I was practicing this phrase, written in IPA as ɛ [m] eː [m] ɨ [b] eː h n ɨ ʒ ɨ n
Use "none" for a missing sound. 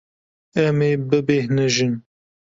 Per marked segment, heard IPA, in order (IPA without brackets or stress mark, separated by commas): m, b, b